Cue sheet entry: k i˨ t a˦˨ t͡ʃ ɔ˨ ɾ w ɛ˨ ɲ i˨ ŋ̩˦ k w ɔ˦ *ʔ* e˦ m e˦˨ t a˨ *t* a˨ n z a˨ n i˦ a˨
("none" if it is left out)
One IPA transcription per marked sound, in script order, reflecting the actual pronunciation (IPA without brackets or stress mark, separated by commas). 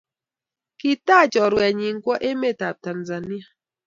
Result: ʔ, t